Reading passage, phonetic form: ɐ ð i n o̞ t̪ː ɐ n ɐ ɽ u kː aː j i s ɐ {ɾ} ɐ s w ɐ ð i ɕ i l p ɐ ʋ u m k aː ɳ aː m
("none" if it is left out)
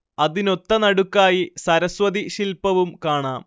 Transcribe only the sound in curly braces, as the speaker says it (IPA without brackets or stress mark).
ɾ